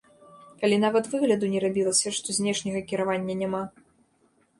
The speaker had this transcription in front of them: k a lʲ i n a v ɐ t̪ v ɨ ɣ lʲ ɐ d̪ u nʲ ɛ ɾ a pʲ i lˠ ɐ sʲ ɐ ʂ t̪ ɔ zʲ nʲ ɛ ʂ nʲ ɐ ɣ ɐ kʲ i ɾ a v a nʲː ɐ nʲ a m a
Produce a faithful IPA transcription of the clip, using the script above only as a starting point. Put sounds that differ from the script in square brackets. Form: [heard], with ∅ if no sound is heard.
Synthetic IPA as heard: k a lʲ i n a v ɐ t̪ v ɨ ɣ lʲ ɐ d̪ u nʲ ɛ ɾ a [bʲ] i lˠ ɐ sʲ ɐ ʂ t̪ ɔ zʲ nʲ ɛ ʂ nʲ ɐ ɣ ɐ kʲ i ɾ a v a nʲː ɐ nʲ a m a